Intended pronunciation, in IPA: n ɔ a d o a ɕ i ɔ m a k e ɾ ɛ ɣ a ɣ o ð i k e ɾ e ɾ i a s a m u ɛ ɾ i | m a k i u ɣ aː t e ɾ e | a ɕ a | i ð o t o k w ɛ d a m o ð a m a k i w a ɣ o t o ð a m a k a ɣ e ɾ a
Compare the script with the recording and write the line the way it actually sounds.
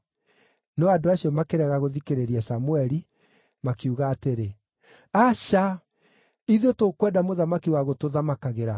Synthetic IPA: n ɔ a d o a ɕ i ɔ m a k e ɾ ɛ ɣ a ɣ o ð i k e ɾ e ɾ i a s a m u ɛ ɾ i | m a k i u ɣ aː t e ɾ e | a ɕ a | i ð o t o k w ɛ d a m o ð a m a k i w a ɣ o t o ð a m a k a ɣ e ɾ a